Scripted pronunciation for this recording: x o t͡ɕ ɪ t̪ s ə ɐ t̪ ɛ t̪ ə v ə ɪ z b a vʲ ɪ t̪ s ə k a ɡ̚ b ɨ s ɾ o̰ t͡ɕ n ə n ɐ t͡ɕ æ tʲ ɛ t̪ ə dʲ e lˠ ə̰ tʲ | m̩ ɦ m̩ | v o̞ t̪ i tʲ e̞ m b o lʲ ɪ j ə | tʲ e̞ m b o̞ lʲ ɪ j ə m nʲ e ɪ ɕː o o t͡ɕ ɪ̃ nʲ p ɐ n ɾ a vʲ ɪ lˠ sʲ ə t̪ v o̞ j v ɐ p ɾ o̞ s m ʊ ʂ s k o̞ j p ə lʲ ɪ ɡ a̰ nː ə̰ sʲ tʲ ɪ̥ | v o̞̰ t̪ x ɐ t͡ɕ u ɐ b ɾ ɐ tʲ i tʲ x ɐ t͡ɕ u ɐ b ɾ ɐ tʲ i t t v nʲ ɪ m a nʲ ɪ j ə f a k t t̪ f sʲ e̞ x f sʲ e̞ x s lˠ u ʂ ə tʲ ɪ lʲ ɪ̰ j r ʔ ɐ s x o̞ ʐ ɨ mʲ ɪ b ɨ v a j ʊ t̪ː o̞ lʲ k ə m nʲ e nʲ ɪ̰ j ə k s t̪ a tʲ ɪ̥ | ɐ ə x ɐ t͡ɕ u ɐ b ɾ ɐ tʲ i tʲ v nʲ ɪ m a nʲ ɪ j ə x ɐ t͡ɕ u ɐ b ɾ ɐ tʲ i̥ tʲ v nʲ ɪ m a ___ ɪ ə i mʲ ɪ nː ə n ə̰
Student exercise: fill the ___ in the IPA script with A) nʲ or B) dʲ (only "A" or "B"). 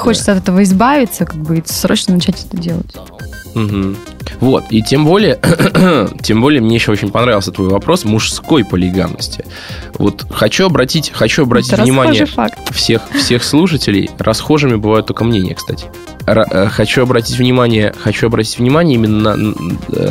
A